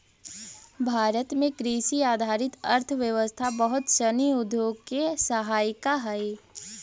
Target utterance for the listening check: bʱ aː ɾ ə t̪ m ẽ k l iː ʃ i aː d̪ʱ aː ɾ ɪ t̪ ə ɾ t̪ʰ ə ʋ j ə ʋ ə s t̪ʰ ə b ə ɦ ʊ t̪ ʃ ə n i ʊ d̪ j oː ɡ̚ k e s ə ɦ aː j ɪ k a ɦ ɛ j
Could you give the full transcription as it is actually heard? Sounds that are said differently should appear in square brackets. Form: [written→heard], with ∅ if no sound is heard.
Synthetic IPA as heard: bʱ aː ɾ ə t̪ m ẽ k [l→ɾ] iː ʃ i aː d̪ʱ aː ɾ ɪ t̪ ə ɾ t̪ʰ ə ʋ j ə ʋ ə s t̪ʰ [ə→a] b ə ɦ ʊ t̪ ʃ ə n i ʊ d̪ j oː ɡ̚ k e s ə ɦ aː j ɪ k a ɦ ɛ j